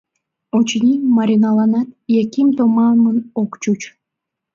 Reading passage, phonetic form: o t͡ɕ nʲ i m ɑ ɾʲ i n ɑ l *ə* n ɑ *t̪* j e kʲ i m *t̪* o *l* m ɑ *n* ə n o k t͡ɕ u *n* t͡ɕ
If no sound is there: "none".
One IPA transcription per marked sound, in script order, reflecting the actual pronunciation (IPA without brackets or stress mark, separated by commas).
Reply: ɑ, t̪, t̪, none, m, none